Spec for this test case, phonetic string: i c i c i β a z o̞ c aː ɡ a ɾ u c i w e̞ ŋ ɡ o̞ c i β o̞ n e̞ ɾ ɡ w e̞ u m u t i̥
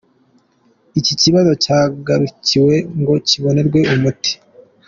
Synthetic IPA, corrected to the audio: i c i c i β a z o̞ c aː ɡ a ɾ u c i w e̞ ŋ ɡ o̞ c i β o̞ n e̞ ɾ ɡ w e̞ u m u t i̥